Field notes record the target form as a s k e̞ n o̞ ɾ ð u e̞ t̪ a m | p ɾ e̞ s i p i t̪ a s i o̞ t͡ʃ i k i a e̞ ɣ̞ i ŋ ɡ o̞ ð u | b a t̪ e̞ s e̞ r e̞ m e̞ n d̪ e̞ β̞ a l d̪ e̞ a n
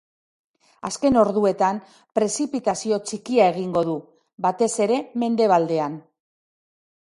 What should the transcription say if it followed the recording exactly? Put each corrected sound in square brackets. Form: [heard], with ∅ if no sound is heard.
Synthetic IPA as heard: a s k e̞ n o̞ ɾ ð u e̞ t̪ a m | p ɾ e̞ s i p i t̪ a s i o̞ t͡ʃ i k i a e̞ ɣ̞ i ŋ ɡ o̞ ð u | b a t̪ e̞ s e̞ [ɾ] e̞ m e̞ n d̪ e̞ β̞ a l d̪ e̞ a n